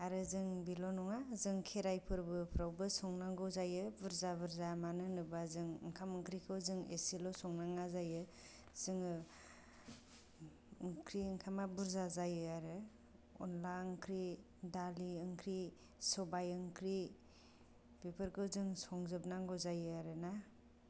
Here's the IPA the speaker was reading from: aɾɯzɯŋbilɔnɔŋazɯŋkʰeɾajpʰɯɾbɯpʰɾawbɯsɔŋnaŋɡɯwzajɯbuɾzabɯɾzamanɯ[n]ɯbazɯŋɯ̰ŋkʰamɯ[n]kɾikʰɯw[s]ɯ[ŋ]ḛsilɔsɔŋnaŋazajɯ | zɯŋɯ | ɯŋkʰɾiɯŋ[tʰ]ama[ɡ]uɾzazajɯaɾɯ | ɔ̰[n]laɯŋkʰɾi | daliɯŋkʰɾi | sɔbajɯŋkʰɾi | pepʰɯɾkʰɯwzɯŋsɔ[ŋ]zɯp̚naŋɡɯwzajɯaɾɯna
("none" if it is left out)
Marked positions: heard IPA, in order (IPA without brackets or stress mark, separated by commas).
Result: n, ŋ, z, ŋ, kʰ, b, n, ŋ